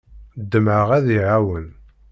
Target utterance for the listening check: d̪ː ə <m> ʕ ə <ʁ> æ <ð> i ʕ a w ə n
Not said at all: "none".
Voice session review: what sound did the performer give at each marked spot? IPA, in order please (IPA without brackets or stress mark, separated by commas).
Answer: m, ʁ, ð